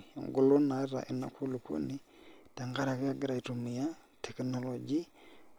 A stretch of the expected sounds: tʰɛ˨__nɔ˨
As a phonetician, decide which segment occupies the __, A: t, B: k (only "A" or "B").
B